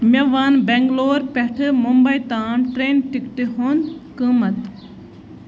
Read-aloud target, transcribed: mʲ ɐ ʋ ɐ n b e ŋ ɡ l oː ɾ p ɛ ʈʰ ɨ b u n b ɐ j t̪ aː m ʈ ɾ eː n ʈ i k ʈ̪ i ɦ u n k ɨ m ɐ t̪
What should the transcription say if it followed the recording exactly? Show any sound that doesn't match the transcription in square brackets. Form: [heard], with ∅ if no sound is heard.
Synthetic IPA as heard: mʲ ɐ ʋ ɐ n b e ŋ ɡ l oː ɾ p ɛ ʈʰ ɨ [m] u [m] b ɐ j t̪ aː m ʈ ɾ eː n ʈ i k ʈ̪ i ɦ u n k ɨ m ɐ t̪

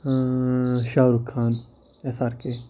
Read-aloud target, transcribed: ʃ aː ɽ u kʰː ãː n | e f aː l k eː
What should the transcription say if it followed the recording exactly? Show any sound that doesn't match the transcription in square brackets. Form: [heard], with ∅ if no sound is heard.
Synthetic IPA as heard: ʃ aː [ɾ] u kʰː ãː n | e [s] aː [ɾ] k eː

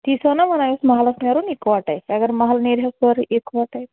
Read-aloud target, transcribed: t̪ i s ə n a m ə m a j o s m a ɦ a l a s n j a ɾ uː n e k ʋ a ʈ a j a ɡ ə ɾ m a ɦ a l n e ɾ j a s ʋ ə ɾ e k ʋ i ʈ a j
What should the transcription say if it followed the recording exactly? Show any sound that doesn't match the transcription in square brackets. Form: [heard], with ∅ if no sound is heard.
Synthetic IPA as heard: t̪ i s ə n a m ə [n] a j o s m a ɦ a l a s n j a ɾ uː n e k ʋ a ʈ a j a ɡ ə ɾ m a ɦ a l n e ɾ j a s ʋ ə ɾ e k ʋ [a] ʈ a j

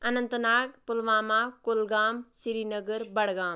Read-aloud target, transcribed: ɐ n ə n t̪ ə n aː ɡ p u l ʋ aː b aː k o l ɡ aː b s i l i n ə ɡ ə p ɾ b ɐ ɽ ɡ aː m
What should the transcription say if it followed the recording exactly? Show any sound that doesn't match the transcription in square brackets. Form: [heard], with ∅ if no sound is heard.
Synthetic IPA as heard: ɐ n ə n t̪ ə n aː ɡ p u l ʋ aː [m] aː k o l ɡ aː [m] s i [ɾ] i n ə ɡ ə [∅] ɾ b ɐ ɽ ɡ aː m

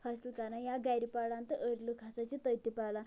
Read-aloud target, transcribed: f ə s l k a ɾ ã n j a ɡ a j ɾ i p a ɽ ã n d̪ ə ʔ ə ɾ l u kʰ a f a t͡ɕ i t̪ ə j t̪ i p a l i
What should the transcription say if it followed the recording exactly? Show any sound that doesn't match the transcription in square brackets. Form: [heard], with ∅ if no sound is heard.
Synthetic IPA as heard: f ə s l k a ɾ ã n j a ɡ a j ɾ i p a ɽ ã n [t̪] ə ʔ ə ɾ l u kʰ a [s] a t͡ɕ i t̪ ə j t̪ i p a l [a]

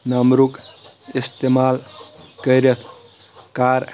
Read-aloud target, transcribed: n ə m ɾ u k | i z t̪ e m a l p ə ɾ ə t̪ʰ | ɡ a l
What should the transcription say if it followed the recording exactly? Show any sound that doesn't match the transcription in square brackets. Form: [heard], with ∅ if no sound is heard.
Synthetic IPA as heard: n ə m ɾ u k | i [s] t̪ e m a l [k] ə ɾ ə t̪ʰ | [k] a [ɾ]

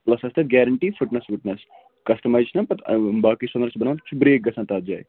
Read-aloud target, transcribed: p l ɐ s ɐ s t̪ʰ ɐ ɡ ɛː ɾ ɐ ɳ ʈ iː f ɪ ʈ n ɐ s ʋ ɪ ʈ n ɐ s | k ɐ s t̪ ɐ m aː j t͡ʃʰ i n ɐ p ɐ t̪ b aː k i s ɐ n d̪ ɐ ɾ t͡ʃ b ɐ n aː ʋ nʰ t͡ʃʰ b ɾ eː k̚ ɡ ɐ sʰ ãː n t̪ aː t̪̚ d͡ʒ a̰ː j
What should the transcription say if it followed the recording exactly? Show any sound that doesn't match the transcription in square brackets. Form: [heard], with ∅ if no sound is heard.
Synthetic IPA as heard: p l ɐ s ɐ s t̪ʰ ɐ ɡ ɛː ɾ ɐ ɳ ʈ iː f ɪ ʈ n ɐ s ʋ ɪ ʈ n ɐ s | k ɐ s t̪ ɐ m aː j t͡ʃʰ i n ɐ p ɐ t̪ b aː k i s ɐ n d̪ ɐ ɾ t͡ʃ b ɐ n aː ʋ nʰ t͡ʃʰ b ɾ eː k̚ ɡ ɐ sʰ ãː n t̪ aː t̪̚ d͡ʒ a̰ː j

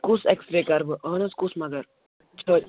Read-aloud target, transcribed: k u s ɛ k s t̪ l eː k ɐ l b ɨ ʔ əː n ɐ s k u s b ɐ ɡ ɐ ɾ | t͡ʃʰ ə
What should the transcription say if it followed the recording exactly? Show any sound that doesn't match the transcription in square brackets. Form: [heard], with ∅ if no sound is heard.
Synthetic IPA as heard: k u s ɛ k s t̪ [ɾ] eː k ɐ [ɾ] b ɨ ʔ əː n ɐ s k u s [m] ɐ ɡ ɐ ɾ | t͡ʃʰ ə

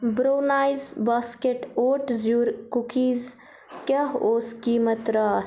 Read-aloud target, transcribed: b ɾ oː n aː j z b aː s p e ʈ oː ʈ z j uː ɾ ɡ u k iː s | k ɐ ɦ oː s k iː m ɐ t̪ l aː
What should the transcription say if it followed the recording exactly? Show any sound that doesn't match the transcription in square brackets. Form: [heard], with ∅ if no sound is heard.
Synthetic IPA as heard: b ɾ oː n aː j z b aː s [k] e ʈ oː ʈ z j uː ɾ [k] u k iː [z] | k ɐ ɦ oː s k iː m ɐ t̪ [ɾ] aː

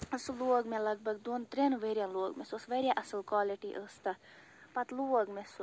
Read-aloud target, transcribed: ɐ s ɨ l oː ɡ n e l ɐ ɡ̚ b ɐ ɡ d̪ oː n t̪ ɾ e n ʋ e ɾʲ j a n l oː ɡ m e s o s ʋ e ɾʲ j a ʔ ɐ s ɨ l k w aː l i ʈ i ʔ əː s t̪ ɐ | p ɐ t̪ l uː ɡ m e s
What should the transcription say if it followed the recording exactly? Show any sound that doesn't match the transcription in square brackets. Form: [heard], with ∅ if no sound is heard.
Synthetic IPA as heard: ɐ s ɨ l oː ɡ [m] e l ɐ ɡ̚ b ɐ ɡ d̪ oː n t̪ ɾ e n ʋ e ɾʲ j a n l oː ɡ m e s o s ʋ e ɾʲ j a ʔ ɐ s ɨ l k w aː l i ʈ i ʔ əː s t̪ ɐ | p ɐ t̪ l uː ɡ m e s

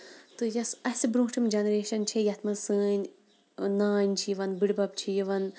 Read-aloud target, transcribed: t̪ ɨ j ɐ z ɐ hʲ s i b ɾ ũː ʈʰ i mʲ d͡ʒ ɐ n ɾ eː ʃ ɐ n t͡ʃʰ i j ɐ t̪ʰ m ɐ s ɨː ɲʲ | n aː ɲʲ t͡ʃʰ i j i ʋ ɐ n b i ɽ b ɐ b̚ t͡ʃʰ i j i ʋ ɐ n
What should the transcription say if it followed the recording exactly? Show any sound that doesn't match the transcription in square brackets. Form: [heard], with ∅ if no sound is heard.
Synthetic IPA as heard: t̪ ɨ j ɐ [s] ɐ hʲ s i b ɾ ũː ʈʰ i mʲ d͡ʒ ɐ n ɾ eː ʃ ɐ n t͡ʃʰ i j ɐ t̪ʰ m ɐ s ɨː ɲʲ | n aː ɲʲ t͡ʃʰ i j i ʋ ɐ n b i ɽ b ɐ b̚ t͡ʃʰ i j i ʋ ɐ n

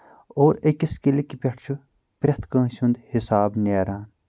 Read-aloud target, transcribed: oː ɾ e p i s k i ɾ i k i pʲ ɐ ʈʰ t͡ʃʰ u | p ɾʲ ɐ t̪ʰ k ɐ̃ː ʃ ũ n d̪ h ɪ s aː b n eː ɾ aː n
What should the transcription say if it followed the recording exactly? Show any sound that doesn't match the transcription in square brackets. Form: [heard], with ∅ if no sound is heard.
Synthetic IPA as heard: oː ɾ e [k] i s k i [l] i k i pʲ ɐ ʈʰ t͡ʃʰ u | p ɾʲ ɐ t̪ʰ k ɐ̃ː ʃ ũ n d̪ h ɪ s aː b n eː ɾ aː n

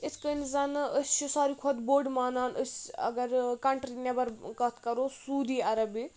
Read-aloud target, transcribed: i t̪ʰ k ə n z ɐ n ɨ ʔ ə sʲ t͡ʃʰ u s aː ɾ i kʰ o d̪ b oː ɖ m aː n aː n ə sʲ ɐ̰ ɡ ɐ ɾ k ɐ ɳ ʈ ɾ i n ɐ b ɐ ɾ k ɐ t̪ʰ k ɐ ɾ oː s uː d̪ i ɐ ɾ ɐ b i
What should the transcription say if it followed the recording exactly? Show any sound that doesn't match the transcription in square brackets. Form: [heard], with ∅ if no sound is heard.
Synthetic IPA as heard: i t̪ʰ k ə n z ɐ n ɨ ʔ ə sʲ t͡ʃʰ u s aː ɾ i kʰ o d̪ b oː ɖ m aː n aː n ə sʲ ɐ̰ ɡ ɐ ɾ k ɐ ɳ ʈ ɾ i n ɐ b ɐ ɾ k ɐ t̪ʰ k ɐ ɾ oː s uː d̪ i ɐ ɾ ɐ b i

